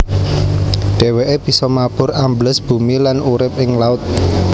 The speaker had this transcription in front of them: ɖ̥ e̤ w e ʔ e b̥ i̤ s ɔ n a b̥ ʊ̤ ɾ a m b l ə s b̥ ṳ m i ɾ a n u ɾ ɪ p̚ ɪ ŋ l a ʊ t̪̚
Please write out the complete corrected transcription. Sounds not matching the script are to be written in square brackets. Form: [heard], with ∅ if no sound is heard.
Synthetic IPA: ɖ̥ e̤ w e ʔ e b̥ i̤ s ɔ [m] a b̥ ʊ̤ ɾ a m b l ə s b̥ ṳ m i [l] a n u ɾ ɪ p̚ ɪ ŋ l a ʊ t̪̚

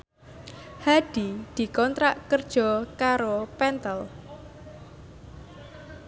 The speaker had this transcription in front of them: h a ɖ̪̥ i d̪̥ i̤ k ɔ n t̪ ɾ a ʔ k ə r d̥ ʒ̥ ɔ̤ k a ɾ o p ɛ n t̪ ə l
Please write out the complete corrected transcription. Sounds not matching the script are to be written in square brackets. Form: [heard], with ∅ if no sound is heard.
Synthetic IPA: h a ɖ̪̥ i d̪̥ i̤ k ɔ n t̪ ɾ a ʔ k ə r d̥ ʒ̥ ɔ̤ k a ɾ o p ɛ n t̪ ə l

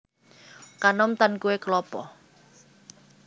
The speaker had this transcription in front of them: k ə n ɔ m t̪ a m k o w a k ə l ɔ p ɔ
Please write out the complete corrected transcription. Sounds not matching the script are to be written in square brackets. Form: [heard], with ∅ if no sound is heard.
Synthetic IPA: k [a] n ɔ m t̪ a [n] k [u] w [e] k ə l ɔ p ɔ

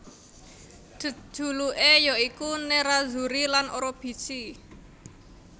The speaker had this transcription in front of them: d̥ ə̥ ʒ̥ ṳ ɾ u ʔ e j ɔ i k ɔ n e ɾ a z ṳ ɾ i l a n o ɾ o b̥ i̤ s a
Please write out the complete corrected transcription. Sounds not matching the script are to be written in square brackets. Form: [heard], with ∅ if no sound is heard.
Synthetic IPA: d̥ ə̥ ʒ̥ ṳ [l] u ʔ e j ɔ i k [u] n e ɾ a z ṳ ɾ i l a n o ɾ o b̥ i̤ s [i]

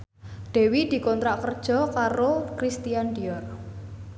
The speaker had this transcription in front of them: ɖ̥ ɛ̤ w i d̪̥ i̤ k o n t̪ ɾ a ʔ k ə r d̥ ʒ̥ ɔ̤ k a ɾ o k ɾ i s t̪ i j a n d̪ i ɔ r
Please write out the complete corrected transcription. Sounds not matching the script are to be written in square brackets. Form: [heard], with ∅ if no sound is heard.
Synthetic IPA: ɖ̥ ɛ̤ w i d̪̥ i̤ k [ɔ] n t̪ ɾ a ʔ k ə r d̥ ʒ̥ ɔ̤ k a ɾ o k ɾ i s t̪ i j a n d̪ i ɔ r

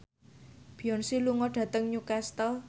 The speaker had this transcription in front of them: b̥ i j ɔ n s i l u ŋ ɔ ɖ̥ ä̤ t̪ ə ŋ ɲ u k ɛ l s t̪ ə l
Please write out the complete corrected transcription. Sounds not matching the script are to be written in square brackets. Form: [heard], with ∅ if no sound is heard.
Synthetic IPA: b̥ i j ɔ n s i l u ŋ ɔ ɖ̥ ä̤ t̪ ə ŋ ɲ u k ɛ [∅] s t̪ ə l

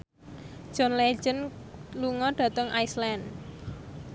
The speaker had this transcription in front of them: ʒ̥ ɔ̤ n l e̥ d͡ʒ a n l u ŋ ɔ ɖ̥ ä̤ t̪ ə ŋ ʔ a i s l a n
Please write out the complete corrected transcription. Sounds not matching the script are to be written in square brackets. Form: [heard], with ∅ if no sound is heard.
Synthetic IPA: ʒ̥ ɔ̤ n l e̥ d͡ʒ [ə] n l u ŋ ɔ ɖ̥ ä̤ t̪ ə ŋ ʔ a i s l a n

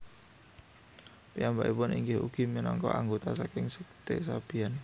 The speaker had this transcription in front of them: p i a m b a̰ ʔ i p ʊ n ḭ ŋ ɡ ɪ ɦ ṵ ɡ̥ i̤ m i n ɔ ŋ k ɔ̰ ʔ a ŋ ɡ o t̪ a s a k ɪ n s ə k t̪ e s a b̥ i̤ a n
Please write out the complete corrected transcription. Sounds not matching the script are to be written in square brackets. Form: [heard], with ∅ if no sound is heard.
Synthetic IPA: p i a m b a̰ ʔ i p ʊ n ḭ ŋ ɡ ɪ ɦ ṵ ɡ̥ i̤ m i n ɔ ŋ k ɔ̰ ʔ a ŋ ɡ o t̪ a s a k ɪ [ŋ] s ə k t̪ e s a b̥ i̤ a n

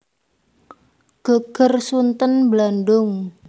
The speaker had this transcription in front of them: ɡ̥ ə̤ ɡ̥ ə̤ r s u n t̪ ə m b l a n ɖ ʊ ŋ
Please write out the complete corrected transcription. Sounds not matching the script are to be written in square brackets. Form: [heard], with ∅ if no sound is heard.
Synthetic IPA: ɡ̥ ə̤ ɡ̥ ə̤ r s u n t̪ ə [n] b l a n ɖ ʊ ŋ

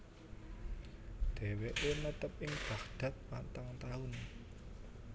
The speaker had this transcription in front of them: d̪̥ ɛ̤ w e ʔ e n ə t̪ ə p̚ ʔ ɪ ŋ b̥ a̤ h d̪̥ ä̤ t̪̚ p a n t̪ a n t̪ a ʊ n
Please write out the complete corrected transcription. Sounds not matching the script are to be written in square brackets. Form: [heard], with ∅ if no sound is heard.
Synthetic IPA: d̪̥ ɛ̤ w e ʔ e n ə t̪ ə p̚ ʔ ɪ ŋ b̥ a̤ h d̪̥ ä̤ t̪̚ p a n t̪ a [ŋ] t̪ a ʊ n

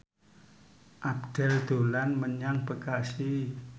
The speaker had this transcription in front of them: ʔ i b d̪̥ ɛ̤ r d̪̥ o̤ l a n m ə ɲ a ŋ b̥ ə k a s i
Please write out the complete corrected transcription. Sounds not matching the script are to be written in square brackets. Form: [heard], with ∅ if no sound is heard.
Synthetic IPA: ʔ [a] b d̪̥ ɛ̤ [l] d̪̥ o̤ l a n m ə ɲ a ŋ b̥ ə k a s i

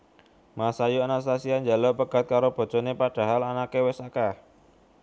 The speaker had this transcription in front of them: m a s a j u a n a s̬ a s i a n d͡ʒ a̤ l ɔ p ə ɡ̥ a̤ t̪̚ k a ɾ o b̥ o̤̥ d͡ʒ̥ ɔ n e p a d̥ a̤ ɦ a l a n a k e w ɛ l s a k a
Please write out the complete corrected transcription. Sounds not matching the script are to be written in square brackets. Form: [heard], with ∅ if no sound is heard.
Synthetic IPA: m a s a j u a n a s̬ a s i a n d͡ʒ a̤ l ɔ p ə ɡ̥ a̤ t̪̚ k a ɾ o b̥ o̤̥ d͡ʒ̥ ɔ n e p a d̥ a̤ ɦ a l a n a k e w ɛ [∅] s a k a

